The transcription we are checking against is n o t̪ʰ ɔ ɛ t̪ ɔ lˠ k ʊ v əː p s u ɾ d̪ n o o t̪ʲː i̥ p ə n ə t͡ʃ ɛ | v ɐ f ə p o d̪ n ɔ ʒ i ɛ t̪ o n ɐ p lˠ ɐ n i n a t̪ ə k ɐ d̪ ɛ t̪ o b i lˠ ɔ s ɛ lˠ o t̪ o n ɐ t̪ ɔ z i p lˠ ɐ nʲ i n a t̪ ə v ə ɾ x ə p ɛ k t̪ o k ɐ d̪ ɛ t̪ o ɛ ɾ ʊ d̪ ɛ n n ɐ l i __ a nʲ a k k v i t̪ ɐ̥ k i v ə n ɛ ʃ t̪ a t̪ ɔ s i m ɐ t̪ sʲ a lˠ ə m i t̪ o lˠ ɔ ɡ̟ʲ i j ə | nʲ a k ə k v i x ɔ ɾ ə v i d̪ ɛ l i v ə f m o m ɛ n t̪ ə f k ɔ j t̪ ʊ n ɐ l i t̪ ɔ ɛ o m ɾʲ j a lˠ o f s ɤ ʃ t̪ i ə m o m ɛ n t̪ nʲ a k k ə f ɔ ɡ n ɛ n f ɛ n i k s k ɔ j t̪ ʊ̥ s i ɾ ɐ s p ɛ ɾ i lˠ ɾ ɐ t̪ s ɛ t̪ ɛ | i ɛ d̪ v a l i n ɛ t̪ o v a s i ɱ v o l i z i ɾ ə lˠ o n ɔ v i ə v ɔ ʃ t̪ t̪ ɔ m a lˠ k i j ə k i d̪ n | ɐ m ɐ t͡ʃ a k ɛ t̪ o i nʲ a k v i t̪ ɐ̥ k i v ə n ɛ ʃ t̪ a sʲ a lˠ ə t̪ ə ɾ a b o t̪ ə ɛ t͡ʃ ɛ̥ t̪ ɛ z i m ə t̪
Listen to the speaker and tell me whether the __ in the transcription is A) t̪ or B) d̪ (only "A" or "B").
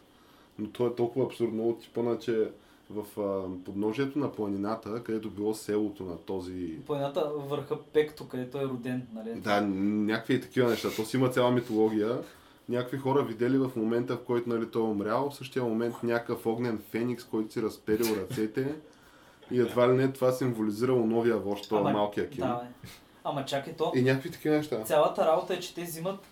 B